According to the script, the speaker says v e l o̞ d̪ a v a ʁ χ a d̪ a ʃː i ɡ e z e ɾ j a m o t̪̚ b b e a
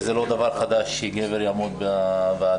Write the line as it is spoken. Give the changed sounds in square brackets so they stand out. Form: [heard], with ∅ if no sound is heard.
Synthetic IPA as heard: [z] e l o̞ d̪ a v a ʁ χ a d̪ a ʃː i ɡ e [v] e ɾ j a m o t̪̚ b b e a